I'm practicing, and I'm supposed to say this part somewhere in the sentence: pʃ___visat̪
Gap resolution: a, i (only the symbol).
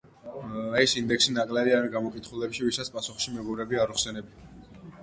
i